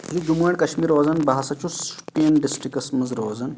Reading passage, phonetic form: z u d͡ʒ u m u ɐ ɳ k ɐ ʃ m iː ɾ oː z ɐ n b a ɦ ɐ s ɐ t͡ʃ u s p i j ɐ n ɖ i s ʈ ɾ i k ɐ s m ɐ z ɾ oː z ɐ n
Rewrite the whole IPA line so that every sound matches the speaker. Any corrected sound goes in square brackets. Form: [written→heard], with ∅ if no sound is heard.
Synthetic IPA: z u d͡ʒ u m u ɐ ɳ k ɐ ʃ m iː ɾ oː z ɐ n b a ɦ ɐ s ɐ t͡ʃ u s p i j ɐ n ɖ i s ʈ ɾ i k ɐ s m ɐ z ɾ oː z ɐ n